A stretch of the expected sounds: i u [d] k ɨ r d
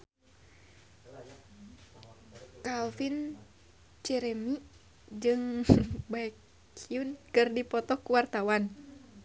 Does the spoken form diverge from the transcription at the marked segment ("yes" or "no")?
yes